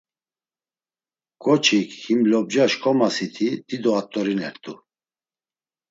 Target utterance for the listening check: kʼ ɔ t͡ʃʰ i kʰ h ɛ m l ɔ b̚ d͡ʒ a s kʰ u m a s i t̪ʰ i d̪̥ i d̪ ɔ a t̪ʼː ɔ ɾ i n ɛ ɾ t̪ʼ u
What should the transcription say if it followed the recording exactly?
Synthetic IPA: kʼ ɔ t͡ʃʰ i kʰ h i m l ɔ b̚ d͡ʒ a ʃ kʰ ɔ m a s i t̪ʰ i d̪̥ i d̪ ɔ a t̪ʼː ɔ ɾ i n ɛ ɾ t̪ʼ u

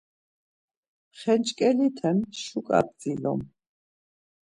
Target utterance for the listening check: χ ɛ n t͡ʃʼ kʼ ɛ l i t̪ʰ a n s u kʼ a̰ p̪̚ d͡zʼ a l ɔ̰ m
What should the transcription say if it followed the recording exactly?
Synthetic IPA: χ ɛ n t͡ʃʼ kʼ ɛ l i t̪ʰ ɛ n ʃ u kʼ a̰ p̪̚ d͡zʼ i l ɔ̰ m

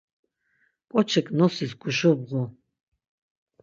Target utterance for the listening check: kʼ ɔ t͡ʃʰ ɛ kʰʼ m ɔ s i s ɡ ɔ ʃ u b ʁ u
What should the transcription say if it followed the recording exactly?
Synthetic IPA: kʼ ɔ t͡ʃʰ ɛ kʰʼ n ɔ s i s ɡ u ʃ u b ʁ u

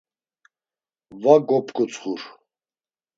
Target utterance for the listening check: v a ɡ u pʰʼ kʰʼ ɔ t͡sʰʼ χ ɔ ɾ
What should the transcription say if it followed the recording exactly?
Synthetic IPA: v a ɡ ɔ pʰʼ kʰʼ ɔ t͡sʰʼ χ u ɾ

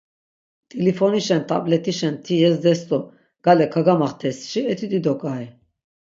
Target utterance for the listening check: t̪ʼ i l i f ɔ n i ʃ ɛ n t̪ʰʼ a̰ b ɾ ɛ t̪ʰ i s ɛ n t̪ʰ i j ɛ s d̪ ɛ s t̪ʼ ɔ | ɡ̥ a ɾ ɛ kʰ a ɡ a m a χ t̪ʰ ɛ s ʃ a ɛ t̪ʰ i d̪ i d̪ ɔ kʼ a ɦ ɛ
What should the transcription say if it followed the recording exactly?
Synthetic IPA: t̪ʼ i l i f ɔ n i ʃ ɛ n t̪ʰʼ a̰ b l ɛ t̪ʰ i ʃ ɛ n t̪ʰ i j ɛ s d̪ ɛ s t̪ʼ ɔ | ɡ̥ a l ɛ kʰ a ɡ a m a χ t̪ʰ ɛ s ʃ i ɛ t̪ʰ i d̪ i d̪ ɔ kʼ a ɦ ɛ

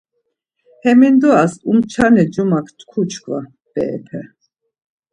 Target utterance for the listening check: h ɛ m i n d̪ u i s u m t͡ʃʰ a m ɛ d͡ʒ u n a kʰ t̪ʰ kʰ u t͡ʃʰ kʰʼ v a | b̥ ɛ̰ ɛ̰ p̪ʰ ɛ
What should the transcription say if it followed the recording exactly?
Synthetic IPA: h ɛ m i n d̪ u a s u m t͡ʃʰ a n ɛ d͡ʒ u m a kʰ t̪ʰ kʰ u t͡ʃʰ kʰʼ v a | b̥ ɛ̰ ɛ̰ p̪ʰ ɛ

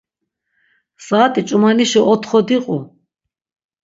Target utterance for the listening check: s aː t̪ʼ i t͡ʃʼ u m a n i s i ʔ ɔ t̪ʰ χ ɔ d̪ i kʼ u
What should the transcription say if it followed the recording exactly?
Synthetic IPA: s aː t̪ʼ i t͡ʃʼ u m a n i ʃ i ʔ ɔ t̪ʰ χ ɔ d̪ i qʼ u

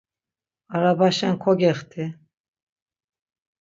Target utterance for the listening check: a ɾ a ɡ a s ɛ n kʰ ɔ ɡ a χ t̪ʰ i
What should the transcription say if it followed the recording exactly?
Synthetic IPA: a ɾ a b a ʃ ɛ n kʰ ɔ ɡ ɛ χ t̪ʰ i

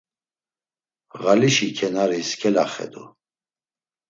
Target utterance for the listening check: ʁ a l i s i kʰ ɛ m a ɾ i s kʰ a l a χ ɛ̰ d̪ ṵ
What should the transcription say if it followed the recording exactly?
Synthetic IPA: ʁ a l i ʃ i kʰ ɛ n a ɾ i s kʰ ɛ l a χ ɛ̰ d̪ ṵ

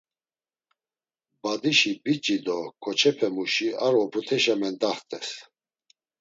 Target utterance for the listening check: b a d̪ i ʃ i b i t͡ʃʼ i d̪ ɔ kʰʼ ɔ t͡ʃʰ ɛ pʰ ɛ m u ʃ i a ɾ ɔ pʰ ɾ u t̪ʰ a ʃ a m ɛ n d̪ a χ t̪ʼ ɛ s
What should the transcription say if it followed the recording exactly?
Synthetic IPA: b a d̪ i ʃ i b i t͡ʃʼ i d̪ ɔ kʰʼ ɔ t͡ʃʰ ɛ pʰ ɛ m u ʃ i a ɾ ɔ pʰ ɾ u t̪ʰ ɛ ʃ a m ɛ n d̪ a χ t̪ʼ ɛ s

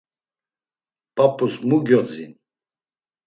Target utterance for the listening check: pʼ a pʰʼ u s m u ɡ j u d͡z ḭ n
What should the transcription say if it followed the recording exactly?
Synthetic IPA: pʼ a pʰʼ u s m u ɡ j ɔ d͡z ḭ n

